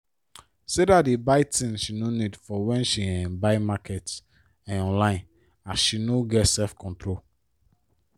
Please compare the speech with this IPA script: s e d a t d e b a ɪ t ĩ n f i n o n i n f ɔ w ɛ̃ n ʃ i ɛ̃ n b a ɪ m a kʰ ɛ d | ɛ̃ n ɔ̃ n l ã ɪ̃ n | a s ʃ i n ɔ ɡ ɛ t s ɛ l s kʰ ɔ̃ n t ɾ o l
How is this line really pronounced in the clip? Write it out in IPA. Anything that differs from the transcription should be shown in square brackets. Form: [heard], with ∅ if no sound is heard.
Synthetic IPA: s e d a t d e b a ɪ t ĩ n [ʃ] i n o n i [d] f ɔ w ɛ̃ n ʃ i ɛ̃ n b a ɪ m a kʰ ɛ [t] | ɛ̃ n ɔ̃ n l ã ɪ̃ n | a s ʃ i n [o] ɡ ɛ t s ɛ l [f] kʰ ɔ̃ n t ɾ o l